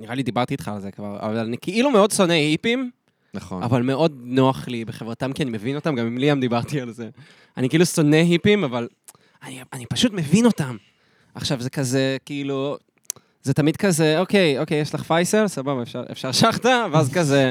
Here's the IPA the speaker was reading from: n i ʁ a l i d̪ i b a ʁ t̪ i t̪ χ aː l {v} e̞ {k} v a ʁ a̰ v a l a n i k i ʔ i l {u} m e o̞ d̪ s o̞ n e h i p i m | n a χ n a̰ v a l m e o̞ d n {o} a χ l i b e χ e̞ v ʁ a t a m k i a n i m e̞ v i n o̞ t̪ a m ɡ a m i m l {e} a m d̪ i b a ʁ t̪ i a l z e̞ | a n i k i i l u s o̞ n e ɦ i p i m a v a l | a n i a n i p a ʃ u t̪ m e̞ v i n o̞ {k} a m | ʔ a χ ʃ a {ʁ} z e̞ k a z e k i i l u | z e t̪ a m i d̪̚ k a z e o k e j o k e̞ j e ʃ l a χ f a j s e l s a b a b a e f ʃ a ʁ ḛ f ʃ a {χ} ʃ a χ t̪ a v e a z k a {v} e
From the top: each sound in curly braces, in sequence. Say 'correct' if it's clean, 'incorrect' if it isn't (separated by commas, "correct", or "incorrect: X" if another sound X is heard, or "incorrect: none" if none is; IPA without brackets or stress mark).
incorrect: z, correct, correct, correct, incorrect: i, incorrect: t, incorrect: v, incorrect: ʁ, incorrect: z